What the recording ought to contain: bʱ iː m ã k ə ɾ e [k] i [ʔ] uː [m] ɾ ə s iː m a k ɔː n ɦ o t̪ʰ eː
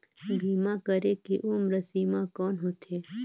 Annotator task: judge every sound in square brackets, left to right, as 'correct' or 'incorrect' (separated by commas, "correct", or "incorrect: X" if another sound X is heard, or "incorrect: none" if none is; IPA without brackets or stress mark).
correct, correct, correct